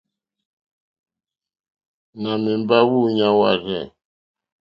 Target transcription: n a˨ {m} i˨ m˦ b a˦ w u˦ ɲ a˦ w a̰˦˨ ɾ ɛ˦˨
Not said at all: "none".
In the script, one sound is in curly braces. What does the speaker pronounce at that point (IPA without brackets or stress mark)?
m